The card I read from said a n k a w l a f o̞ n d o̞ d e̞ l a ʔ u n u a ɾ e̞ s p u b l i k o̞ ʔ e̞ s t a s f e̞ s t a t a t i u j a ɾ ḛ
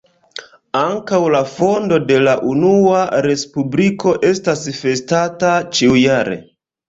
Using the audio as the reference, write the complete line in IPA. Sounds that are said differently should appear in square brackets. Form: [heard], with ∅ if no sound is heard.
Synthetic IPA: a [ŋ] k a w l a f o̞ n d o̞ d e̞ l a ʔ u n u a ɾ e̞ s p u b l i k o̞ ʔ e̞ s t a s f e̞ s t a t a [t͡ʃ] i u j a ɾ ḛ